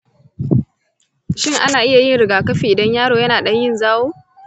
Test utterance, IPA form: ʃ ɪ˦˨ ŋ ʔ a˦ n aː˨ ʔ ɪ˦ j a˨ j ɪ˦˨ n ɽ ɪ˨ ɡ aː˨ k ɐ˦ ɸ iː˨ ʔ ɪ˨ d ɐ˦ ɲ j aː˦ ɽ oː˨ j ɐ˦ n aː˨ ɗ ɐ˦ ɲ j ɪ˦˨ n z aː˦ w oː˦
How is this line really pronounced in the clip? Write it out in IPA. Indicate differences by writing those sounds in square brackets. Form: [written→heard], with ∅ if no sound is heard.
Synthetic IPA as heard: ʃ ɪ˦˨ ŋ ʔ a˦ n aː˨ ʔ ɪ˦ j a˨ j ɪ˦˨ n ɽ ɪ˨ ɡ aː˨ k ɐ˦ ɸ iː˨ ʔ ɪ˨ d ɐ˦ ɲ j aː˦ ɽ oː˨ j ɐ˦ n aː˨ ɗ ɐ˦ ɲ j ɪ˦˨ n z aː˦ w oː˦